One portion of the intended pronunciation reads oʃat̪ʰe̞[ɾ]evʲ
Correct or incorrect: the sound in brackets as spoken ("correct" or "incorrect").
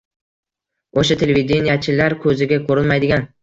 incorrect